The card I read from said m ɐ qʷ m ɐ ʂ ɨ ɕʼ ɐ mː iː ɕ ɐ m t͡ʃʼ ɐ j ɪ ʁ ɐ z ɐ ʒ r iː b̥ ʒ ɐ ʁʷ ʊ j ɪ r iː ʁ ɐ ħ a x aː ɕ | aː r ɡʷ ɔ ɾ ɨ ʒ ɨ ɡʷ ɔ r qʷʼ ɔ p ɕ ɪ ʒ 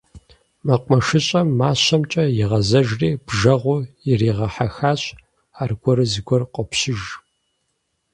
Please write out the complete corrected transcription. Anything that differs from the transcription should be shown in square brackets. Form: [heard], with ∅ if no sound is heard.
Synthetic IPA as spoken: m ɐ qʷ m ɐ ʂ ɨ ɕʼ ɐ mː [aː] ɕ ɐ m t͡ʃʼ ɐ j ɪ ʁ ɐ z ɐ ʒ r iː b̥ ʒ ɐ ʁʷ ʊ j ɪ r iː ʁ ɐ ħ a x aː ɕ | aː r ɡʷ ɔ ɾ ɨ [z] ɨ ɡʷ ɔ r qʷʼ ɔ p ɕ ɪ ʒ